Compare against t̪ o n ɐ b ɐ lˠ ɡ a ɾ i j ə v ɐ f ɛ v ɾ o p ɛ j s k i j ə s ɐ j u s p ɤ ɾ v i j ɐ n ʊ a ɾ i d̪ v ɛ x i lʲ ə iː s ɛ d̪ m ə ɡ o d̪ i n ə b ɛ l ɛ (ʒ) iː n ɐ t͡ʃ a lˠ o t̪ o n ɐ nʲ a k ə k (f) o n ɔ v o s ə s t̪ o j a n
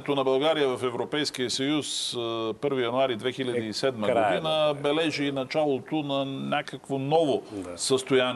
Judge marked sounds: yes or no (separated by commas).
yes, no